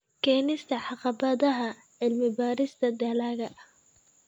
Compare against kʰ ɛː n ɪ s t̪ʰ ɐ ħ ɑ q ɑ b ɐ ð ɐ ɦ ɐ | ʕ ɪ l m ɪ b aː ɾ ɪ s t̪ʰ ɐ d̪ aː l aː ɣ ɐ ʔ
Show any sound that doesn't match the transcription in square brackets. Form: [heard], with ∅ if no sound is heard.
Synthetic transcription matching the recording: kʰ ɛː n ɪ s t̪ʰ ɐ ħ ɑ q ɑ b ɐ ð ɐ ɦ ɐ | ʕ ɪ l m ɪ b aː ɾ ɪ s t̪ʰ ɐ d̪ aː l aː ɣ ɐ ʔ